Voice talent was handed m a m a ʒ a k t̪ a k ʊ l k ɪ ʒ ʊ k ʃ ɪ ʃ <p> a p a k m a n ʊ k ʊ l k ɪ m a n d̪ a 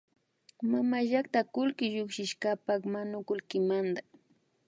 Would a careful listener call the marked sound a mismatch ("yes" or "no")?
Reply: yes